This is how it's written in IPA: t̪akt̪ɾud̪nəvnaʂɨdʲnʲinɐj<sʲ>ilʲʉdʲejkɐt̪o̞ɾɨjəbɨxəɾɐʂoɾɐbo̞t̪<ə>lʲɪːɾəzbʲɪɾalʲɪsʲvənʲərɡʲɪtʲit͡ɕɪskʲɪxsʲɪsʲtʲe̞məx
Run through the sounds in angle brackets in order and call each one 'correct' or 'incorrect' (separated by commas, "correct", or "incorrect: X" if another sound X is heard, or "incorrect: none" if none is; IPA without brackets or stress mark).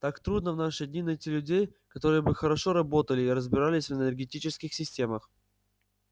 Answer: incorrect: tʲ, correct